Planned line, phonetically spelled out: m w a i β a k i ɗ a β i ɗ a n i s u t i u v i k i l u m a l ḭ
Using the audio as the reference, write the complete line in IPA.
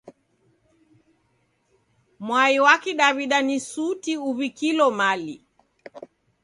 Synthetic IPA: m w a i w a k i ɗ a β i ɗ a n i s u t i u β i k i l ɔ m a l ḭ